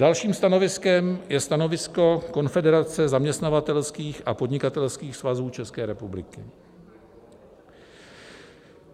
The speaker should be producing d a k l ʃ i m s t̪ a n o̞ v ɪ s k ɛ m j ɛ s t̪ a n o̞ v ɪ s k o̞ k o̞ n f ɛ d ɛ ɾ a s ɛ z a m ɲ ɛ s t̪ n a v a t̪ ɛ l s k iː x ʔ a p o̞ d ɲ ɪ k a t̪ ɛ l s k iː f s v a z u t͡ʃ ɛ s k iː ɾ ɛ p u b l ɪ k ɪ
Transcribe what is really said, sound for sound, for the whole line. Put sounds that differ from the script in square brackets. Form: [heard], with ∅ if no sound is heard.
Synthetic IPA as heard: d a [∅] l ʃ [iː] m s t̪ a n o̞ v ɪ s k ɛ m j ɛ s t̪ a n o̞ v ɪ s k o̞ k o̞ n f ɛ d ɛ ɾ a [t͡s] ɛ z a m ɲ ɛ s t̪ n a v a t̪ ɛ l s k iː x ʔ a p o̞ d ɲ ɪ k a t̪ ɛ l s k iː [x] s v a z [uː] t͡ʃ ɛ s k [ɛː] ɾ ɛ p u b l ɪ k ɪ